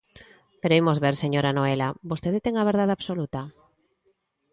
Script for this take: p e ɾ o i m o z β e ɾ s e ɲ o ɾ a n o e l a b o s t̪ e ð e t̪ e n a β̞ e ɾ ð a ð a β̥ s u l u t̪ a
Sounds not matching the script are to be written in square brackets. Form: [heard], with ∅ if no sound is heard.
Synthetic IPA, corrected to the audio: p e ɾ o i m o z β e ɾ s e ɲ o ɾ a n o e l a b o s t̪ e ð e t̪ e [ŋ] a β̞ e ɾ ð a ð a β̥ s [o] l u t̪ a